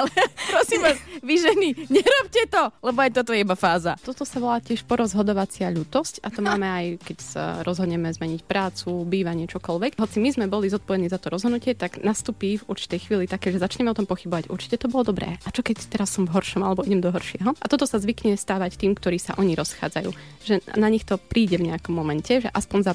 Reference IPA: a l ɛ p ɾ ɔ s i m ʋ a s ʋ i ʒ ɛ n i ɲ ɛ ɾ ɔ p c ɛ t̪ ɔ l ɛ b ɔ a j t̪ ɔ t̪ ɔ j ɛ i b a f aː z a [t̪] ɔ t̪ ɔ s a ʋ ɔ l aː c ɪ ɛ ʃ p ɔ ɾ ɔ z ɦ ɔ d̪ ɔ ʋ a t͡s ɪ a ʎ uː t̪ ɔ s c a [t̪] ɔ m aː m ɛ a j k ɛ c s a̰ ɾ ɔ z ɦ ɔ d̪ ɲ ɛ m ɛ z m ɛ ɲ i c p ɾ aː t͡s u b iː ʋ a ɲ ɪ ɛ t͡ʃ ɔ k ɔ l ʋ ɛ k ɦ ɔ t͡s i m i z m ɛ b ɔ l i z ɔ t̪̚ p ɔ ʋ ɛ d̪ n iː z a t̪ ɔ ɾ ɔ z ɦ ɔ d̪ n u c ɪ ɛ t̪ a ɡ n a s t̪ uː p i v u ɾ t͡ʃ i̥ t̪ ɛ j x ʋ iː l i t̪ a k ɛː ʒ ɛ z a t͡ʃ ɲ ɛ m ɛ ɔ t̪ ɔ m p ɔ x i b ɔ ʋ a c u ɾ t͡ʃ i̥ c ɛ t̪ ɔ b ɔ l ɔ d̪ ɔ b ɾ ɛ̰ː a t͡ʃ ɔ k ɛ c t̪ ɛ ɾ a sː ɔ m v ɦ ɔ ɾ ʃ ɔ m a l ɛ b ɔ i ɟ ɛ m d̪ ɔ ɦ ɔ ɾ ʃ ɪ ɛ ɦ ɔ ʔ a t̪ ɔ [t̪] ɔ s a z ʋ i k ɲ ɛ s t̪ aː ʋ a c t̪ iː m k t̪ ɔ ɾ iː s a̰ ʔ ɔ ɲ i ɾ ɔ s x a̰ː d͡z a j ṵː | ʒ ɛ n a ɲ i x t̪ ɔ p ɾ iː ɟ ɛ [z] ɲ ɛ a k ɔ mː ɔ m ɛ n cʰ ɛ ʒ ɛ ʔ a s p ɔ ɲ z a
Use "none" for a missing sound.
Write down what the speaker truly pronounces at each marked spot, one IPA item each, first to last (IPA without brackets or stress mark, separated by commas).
t̪, t̪, t̪, v